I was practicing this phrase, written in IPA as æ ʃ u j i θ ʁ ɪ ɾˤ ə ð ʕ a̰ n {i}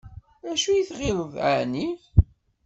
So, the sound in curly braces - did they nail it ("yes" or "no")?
yes